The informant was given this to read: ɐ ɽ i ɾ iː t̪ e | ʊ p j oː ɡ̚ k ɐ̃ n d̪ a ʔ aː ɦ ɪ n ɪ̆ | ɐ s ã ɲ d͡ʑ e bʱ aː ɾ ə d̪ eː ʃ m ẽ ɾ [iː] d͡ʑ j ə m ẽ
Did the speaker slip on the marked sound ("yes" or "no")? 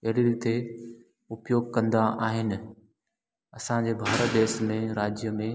yes